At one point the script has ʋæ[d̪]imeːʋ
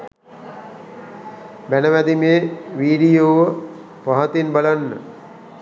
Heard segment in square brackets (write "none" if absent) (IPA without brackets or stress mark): d̪